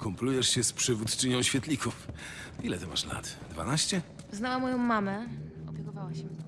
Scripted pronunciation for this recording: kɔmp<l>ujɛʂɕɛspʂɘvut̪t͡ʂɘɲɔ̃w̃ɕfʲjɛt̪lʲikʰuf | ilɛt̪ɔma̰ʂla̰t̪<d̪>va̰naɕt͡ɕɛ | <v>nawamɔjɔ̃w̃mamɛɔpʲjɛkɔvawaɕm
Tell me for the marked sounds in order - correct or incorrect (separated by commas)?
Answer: correct, correct, incorrect